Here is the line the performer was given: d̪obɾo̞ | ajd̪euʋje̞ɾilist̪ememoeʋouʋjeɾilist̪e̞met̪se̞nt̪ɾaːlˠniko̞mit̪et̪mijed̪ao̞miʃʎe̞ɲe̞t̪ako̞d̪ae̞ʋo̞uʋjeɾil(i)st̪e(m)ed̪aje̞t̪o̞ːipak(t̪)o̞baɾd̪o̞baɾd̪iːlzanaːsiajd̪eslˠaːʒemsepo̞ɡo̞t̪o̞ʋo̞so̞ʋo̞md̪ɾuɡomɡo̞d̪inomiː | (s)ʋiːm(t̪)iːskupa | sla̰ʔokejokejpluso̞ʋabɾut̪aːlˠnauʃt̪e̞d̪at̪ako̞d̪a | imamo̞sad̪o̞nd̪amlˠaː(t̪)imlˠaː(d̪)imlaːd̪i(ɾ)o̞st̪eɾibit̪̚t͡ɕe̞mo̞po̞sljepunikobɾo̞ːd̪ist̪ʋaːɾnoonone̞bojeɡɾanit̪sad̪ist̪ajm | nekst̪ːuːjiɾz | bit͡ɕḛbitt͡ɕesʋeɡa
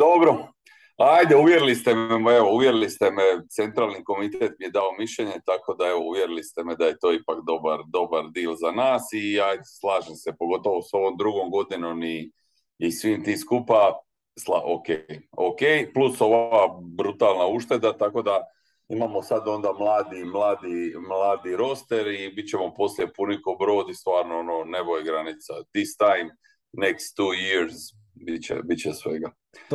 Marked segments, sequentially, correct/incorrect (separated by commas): correct, correct, incorrect, correct, correct, incorrect, correct, correct